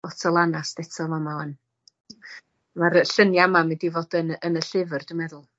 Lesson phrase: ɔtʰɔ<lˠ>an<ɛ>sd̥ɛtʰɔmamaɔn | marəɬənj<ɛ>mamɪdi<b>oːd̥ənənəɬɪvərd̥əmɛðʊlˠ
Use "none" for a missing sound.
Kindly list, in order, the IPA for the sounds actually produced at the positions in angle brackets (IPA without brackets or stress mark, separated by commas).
lˠ, a, a, v